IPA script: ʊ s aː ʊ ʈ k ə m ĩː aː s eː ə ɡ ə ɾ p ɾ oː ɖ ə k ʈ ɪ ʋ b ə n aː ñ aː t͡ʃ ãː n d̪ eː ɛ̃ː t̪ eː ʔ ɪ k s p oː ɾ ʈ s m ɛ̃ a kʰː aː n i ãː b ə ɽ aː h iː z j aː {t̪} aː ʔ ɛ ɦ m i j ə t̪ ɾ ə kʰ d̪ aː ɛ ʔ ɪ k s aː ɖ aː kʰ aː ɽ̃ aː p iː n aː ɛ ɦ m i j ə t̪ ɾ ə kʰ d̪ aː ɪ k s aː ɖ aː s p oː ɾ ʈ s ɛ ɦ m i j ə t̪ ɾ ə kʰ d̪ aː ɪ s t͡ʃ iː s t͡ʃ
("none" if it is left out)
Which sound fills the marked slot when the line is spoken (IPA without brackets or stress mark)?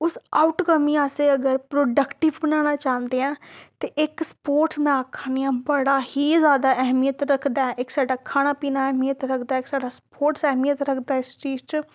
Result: d̪